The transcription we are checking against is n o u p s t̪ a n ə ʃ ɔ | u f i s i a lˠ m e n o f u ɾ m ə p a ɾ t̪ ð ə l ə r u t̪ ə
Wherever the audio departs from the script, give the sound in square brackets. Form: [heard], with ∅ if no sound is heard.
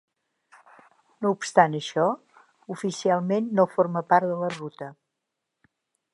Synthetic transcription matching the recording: n o u p s t̪ a n ə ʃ ɔ | u f i s i a lˠ m e [nː] o f [o] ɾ m ə p a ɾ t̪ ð ə l ə r u t̪ ə